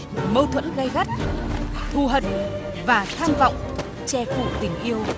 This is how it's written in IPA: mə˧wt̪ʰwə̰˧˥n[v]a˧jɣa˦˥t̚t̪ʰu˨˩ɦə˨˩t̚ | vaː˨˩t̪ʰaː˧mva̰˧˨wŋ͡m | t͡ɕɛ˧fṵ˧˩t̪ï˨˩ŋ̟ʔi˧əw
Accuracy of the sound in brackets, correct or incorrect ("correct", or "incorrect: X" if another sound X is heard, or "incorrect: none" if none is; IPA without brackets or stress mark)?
incorrect: ɣ